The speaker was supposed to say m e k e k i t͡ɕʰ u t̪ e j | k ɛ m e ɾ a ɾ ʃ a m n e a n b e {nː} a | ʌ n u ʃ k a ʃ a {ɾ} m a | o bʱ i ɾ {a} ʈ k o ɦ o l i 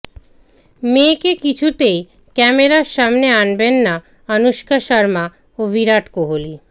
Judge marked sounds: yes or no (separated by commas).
yes, yes, yes